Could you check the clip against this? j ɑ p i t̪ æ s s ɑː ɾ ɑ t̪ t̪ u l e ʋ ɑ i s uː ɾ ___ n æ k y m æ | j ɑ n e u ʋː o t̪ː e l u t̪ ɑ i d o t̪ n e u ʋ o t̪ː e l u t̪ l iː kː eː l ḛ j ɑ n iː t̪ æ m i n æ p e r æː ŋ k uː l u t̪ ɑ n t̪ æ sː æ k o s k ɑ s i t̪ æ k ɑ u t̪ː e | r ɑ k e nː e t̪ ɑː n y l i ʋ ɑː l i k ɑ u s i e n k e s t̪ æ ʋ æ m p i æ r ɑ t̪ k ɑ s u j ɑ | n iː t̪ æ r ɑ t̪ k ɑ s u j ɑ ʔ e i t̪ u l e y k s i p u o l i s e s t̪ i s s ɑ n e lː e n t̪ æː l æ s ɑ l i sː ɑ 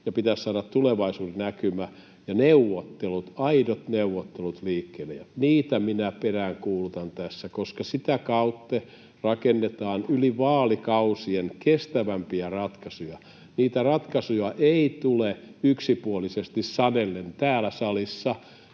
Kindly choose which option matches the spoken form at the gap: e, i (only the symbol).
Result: e